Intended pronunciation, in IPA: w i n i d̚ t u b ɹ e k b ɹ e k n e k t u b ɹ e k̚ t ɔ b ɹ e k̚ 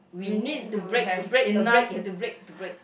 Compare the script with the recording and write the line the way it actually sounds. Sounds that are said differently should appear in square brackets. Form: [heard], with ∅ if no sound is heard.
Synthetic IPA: w i n i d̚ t u b ɹ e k b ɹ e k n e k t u b ɹ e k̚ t [u] b ɹ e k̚